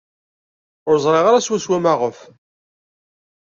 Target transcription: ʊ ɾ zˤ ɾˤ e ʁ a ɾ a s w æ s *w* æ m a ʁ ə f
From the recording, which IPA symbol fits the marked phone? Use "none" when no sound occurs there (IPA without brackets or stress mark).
w